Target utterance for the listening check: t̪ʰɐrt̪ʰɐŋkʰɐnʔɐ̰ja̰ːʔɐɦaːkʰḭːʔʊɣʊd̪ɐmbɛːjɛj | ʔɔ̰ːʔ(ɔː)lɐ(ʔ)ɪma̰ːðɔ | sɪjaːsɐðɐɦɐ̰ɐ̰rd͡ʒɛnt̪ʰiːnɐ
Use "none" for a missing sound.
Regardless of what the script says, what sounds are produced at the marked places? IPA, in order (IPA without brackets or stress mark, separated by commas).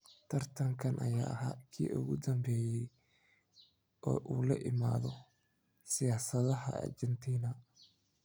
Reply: uː, ʔ